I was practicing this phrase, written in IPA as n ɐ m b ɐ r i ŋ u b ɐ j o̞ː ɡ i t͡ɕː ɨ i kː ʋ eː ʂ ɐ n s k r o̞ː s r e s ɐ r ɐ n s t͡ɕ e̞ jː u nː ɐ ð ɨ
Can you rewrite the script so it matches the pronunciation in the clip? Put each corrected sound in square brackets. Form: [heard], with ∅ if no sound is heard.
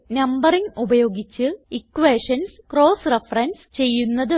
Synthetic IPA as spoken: n ɐ m b ɐ r i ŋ u b ɐ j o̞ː ɡ i t͡ɕː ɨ i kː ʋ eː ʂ ɐ n s k r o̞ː s r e [f] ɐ r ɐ n s t͡ɕ e̞ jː u nː ɐ ð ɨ